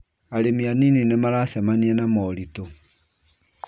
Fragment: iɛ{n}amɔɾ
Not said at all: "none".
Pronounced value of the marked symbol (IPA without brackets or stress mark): n